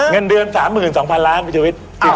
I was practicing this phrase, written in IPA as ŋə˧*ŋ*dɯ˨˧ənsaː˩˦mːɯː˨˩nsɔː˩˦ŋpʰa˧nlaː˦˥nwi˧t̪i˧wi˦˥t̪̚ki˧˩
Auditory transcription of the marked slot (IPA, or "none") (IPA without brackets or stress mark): n